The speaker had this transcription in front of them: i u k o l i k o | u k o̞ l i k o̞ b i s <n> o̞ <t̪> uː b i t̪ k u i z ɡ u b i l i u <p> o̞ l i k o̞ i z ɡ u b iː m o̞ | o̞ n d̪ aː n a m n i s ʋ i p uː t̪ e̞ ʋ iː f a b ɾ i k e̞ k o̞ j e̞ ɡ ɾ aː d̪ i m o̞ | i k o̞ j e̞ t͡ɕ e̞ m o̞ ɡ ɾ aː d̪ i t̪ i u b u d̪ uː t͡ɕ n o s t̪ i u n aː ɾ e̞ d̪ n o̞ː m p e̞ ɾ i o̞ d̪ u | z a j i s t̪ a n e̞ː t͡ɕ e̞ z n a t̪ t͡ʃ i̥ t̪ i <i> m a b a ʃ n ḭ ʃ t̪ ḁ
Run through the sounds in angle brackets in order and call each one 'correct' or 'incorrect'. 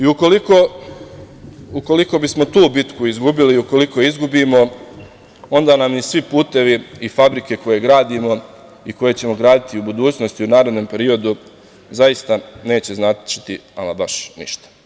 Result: incorrect: m, correct, incorrect: k, incorrect: a

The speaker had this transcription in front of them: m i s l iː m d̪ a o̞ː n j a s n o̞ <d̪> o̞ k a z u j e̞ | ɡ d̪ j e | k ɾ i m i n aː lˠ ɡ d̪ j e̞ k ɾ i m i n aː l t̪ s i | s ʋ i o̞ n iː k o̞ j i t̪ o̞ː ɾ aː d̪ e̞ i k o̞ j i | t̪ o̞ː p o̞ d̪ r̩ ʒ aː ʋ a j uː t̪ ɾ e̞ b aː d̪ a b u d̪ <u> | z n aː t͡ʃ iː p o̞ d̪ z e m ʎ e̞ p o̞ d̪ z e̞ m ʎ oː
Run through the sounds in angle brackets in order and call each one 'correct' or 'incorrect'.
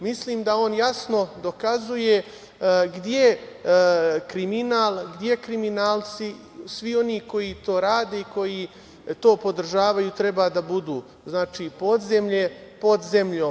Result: correct, incorrect: uː

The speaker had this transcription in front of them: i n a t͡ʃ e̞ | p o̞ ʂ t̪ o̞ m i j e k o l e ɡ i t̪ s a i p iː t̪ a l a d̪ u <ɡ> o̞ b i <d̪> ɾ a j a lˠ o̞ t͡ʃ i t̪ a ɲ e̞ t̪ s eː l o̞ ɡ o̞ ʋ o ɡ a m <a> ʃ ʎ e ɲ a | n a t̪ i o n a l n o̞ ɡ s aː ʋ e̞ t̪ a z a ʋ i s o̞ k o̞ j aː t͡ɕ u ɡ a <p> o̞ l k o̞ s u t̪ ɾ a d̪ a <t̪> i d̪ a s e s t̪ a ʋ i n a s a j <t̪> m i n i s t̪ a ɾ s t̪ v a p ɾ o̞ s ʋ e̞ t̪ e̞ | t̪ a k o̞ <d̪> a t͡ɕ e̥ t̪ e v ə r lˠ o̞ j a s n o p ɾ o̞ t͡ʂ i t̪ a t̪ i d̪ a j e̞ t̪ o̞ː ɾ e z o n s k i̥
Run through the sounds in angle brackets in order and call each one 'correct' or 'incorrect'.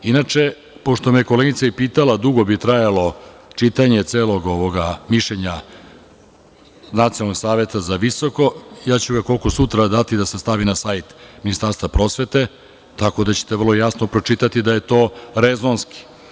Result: correct, incorrect: t̪, incorrect: i, incorrect: k, correct, correct, correct

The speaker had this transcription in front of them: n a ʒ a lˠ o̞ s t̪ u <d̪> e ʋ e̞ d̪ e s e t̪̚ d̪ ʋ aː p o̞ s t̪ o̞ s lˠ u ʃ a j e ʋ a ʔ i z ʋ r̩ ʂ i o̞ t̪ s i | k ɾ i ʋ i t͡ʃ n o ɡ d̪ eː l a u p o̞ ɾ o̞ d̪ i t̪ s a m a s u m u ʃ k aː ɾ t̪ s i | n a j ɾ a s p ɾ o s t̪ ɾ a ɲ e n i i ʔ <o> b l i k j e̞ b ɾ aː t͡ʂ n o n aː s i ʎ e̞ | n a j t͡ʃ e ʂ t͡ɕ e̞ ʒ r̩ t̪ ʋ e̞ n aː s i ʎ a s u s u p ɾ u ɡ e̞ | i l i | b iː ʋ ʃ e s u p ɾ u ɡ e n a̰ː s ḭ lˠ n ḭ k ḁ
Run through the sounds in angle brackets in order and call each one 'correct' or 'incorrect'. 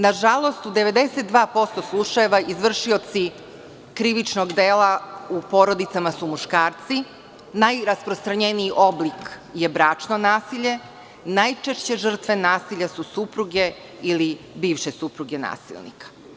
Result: correct, correct

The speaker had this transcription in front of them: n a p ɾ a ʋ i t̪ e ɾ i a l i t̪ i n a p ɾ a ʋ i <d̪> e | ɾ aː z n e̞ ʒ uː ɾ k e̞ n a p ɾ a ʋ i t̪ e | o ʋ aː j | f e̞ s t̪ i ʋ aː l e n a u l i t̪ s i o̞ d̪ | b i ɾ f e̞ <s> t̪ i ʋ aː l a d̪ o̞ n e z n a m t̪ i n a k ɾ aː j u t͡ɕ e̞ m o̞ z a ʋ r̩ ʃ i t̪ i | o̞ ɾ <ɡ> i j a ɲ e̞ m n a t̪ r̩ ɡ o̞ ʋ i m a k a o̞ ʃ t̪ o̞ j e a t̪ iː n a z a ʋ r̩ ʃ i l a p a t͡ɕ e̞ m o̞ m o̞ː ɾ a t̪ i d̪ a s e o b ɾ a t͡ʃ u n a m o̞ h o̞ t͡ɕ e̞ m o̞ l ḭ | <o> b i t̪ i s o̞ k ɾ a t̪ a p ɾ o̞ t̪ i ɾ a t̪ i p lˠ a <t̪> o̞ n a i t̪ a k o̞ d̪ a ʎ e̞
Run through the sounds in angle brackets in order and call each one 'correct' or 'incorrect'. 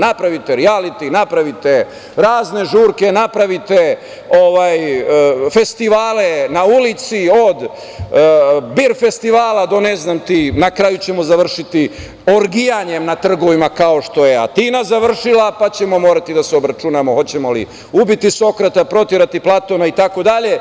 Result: incorrect: t̪, correct, correct, incorrect: u, correct

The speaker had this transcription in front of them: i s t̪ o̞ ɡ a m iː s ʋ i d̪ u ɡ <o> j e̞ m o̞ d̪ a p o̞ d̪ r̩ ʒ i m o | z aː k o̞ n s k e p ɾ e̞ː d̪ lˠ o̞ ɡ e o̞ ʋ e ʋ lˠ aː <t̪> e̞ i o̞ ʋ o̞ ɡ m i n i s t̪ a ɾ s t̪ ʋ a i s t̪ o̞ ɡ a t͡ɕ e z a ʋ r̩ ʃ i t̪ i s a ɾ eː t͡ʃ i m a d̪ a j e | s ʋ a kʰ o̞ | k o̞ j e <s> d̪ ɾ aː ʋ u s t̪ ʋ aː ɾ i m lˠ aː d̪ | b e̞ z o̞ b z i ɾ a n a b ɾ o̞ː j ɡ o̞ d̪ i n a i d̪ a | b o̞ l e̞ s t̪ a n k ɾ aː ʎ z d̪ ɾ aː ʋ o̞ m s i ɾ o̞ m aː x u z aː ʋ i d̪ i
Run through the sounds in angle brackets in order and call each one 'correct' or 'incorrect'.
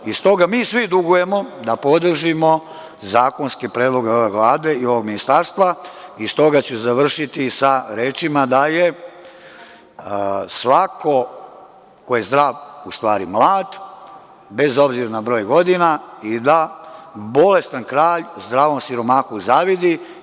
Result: incorrect: u, incorrect: d̪, incorrect: z

